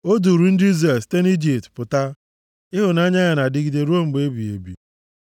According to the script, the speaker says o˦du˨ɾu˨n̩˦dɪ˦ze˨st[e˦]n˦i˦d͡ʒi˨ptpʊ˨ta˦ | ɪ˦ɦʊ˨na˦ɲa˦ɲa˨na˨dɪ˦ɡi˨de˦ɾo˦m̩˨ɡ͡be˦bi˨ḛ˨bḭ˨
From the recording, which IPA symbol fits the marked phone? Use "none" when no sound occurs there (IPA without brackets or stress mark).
e˦